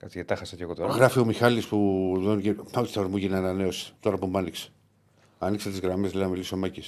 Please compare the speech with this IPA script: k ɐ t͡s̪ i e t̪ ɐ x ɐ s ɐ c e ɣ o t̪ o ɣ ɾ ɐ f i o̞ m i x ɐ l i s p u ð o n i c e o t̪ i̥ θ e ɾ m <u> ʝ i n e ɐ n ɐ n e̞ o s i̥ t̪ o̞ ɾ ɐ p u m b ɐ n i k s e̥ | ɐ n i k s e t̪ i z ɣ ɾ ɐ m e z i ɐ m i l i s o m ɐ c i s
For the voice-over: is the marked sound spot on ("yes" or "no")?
yes